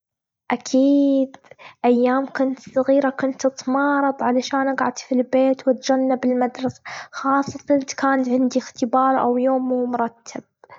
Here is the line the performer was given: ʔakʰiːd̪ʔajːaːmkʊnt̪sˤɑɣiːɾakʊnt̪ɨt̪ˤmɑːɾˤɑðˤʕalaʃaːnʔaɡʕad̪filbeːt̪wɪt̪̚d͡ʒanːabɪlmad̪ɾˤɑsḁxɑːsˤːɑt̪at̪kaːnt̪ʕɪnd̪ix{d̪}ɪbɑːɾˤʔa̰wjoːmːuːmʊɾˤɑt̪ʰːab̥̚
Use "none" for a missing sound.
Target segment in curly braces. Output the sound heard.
t̪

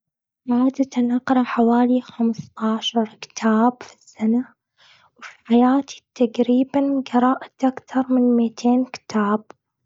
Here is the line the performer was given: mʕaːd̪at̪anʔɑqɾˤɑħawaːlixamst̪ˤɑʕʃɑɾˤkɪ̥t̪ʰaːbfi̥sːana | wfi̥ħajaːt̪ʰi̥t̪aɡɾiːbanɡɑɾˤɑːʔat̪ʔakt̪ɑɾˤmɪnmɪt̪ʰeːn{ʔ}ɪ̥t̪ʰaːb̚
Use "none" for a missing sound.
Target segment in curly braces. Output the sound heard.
k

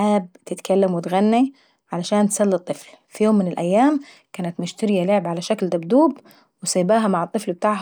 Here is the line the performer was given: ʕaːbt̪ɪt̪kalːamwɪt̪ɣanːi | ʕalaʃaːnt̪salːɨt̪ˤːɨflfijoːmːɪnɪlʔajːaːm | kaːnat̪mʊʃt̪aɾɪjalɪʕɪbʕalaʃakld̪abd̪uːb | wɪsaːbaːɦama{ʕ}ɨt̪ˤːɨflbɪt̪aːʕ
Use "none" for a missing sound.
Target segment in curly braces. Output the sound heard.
ʕ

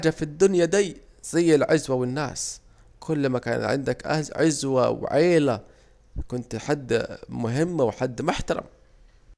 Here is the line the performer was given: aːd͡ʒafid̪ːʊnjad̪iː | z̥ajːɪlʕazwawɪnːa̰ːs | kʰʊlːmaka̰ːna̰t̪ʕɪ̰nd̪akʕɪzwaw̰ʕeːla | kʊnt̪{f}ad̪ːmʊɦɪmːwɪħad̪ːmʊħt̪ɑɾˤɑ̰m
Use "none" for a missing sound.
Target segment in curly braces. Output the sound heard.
ħ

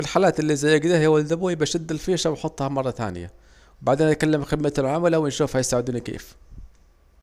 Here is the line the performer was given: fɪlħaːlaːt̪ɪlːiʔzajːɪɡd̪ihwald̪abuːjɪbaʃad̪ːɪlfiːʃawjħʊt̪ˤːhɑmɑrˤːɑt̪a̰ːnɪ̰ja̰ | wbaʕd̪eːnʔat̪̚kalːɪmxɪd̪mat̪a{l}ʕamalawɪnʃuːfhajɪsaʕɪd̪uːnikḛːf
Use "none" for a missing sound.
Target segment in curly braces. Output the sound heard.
l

